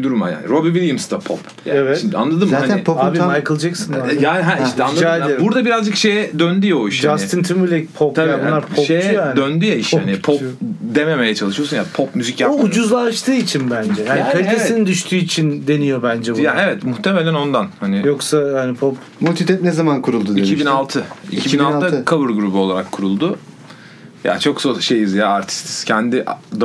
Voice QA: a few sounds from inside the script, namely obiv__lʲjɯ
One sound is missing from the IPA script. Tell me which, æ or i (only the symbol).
i